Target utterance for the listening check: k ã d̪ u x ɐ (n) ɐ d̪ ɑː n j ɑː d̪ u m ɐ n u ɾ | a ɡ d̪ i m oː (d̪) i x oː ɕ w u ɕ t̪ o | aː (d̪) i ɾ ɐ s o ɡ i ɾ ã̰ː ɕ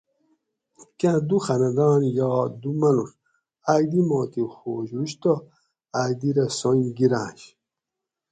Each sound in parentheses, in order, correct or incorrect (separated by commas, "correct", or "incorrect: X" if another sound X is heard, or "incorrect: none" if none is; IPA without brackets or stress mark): correct, incorrect: t̪, correct